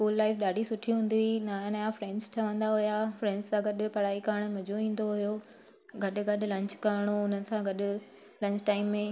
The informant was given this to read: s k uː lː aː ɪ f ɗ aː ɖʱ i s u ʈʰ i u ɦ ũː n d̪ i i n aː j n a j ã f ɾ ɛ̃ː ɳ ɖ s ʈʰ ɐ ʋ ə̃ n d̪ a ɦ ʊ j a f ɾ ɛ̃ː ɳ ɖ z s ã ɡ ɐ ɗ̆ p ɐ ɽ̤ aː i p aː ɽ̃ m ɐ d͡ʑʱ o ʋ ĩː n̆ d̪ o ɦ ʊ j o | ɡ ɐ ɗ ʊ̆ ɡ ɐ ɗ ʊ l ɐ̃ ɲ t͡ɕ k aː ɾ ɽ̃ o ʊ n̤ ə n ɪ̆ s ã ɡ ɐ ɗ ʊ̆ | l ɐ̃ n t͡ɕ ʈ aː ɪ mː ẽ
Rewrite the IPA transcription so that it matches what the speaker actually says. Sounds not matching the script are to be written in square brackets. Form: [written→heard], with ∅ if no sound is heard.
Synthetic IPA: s k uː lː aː ɪ f ɗ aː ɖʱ i s [u→ʊ] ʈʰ i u ɦ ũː n d̪ i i n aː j n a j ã f ɾ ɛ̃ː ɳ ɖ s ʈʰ ɐ ʋ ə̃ n d̪ a ɦ ʊ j a f ɾ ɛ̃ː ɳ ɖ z s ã ɡ ɐ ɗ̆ p ɐ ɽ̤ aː i [p→k] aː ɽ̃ m ɐ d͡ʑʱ o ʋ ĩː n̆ d̪ o ɦ ʊ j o | ɡ ɐ ɗ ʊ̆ ɡ ɐ ɗ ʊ l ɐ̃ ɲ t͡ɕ k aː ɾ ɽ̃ o ʊ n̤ ə n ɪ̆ s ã ɡ ɐ ɗ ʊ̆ | l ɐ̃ [n→ɲ] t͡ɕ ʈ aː ɪ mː ẽ